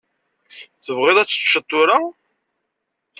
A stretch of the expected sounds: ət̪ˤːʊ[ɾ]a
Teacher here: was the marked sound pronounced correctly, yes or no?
yes